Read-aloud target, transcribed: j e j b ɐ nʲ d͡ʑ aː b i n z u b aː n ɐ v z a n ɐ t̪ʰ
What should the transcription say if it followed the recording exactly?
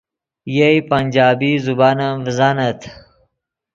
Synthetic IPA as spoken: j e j p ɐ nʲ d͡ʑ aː b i z u b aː n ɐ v z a n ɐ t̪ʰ